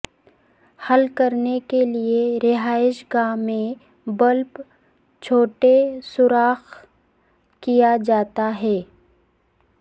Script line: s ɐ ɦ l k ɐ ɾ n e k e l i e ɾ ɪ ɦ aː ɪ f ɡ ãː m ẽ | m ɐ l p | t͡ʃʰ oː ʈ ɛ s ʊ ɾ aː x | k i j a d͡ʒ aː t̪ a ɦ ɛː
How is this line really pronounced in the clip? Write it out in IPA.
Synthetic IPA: h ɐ l k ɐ ɾ n e k e l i e ɾ ɪ ɦ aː ɪ ʃ ɡ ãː m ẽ | b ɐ l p | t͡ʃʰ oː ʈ e s ʊ ɾ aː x | k i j a d͡ʒ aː t̪ a ɦ ɛː